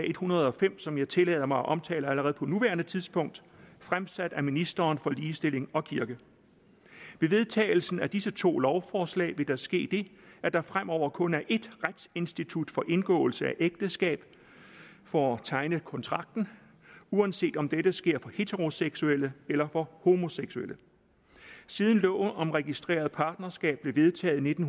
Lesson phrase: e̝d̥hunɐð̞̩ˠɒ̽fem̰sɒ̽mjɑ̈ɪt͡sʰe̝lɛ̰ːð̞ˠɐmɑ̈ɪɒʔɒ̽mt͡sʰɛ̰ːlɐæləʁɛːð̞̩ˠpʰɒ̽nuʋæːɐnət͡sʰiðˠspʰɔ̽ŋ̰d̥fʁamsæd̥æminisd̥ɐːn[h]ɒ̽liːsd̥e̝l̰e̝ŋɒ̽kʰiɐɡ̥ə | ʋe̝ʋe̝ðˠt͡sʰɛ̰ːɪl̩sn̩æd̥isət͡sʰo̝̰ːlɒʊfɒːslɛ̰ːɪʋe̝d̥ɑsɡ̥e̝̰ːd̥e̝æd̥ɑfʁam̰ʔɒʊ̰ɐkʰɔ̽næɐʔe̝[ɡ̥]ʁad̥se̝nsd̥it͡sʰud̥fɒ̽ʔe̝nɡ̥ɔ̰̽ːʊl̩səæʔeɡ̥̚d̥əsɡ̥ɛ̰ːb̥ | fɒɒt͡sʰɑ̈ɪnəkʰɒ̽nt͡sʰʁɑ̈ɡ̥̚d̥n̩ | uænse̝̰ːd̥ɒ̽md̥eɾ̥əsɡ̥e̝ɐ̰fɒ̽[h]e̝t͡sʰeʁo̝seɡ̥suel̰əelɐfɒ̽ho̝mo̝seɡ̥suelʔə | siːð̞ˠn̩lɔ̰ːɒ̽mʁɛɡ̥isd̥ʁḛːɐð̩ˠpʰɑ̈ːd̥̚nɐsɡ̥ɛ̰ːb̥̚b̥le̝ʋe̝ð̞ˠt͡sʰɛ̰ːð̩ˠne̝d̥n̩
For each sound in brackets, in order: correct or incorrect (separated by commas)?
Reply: incorrect, incorrect, correct